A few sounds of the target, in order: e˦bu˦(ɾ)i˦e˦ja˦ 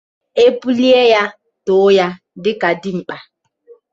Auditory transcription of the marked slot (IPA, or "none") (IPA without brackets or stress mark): l